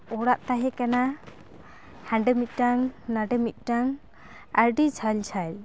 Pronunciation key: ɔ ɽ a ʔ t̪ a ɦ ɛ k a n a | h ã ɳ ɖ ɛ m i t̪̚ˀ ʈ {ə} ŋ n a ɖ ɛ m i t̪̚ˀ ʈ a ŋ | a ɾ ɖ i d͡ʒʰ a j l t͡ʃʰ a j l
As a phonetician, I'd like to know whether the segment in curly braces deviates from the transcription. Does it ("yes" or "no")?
yes